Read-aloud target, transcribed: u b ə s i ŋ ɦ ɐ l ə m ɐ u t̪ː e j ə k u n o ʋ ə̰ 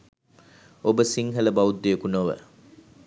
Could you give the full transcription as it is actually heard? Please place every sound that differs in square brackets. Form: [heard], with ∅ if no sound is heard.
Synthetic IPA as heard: [o] b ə s i ŋ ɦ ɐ l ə [b] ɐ u [d̪ː] e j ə k u n o ʋ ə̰

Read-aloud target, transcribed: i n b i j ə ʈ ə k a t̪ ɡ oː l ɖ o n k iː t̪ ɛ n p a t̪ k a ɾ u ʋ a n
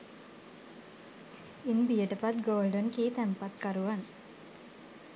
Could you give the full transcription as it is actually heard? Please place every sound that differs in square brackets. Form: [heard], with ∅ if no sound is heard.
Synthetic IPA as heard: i n b i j ə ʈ ə [p] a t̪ ɡ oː l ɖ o n k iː t̪ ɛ [m] p a t̪ k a ɾ u ʋ a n

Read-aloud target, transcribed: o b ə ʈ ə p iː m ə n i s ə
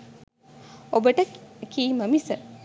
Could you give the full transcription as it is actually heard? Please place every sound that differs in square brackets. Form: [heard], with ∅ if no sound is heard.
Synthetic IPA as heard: o b ə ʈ ə [k] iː m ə [m] i s ə

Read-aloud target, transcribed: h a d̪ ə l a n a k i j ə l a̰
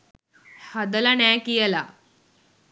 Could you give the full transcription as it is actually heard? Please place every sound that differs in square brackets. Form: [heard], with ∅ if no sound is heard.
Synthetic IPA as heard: h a d̪ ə l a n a k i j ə l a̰

